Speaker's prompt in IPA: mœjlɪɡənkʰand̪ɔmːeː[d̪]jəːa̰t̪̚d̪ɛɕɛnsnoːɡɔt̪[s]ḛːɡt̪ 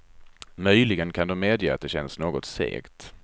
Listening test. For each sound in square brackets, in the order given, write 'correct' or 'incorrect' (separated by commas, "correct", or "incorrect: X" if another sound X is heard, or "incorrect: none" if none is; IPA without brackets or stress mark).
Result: correct, correct